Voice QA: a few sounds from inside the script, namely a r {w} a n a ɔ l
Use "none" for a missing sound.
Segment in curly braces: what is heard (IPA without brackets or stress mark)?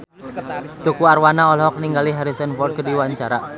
w